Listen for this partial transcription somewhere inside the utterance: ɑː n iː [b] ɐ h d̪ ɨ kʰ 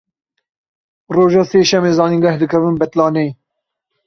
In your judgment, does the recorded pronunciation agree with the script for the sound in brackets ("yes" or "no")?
no